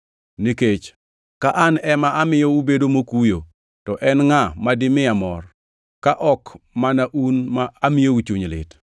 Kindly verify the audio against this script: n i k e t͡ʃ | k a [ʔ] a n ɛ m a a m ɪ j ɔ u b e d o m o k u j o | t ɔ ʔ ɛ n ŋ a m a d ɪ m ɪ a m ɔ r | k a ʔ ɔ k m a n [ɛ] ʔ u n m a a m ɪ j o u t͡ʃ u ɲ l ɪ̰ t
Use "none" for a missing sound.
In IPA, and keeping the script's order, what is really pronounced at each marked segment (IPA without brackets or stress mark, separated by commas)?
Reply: ʔ, a